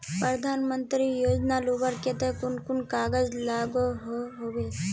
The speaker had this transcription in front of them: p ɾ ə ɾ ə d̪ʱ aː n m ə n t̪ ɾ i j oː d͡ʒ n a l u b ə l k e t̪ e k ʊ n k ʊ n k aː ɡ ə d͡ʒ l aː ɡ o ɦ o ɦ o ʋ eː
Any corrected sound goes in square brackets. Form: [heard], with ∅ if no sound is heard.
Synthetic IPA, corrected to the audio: p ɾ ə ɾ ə d̪ʱ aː n m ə n t̪ ɾ i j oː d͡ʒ n a l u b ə [ɾ] k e t̪ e k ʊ n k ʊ n k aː ɡ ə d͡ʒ l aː ɡ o ɦ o ɦ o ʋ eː